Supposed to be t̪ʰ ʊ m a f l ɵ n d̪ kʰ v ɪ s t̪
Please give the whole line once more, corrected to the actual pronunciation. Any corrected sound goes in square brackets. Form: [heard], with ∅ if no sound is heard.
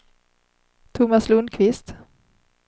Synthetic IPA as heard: t̪ʰ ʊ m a [s] l ɵ n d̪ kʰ v ɪ s t̪